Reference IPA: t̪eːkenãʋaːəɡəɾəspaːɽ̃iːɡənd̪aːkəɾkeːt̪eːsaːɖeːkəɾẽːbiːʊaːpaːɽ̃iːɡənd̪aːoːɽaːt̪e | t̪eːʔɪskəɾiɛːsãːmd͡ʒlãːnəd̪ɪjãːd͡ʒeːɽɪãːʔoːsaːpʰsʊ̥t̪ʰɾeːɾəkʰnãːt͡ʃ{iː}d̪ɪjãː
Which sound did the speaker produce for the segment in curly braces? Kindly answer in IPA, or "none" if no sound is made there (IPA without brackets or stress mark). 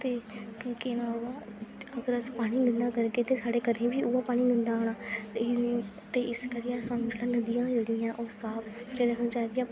aː